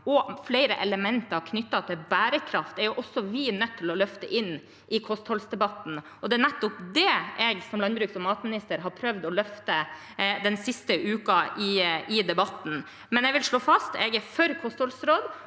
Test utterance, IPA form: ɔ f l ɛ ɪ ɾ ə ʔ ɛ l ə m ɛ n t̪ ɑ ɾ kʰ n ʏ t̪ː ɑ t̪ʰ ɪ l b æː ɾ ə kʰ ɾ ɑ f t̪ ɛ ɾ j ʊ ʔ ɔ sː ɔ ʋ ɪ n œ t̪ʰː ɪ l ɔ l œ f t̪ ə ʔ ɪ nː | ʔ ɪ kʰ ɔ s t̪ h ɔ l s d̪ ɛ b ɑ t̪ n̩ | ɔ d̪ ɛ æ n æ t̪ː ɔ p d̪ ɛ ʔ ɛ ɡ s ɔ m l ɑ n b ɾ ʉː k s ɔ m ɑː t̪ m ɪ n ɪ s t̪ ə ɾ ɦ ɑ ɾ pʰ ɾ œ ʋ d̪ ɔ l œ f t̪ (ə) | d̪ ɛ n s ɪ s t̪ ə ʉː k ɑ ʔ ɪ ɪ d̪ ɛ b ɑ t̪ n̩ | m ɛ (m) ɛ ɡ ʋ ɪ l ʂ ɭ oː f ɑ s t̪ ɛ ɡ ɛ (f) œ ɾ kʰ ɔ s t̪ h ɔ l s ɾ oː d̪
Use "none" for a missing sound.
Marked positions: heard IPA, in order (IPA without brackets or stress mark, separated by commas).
ə, n, f